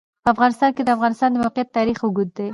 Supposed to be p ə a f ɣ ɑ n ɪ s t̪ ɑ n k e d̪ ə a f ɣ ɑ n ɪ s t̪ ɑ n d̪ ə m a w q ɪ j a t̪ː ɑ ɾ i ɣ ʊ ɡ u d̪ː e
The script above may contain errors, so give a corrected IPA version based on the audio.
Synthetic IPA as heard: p ə a f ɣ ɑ n ɪ s t̪ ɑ n k e d̪ ə a f ɣ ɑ n ɪ s t̪ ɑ n d̪ ə m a w q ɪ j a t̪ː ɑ ɾ i x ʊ ɡ u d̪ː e